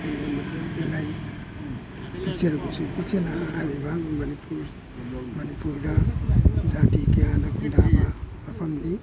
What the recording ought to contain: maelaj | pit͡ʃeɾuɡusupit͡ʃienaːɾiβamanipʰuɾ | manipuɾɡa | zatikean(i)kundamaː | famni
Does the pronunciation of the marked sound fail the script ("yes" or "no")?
yes